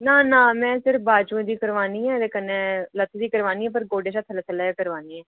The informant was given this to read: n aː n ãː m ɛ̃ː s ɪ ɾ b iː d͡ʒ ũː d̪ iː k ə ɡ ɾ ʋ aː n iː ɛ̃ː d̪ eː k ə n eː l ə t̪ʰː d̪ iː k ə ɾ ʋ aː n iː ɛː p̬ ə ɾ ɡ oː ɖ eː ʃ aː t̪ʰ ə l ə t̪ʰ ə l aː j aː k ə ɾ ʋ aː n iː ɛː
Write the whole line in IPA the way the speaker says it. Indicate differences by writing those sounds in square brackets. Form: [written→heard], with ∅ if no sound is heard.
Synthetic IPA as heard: n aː n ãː m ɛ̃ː s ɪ ɾ b [iː→aː] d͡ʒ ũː d̪ iː k ə [ɡ→∅] ɾ ʋ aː n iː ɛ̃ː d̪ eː k ə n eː l ə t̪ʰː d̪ iː k ə ɾ ʋ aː n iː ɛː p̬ ə ɾ ɡ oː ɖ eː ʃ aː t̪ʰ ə l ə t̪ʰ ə l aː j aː k ə ɾ ʋ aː n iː ɛː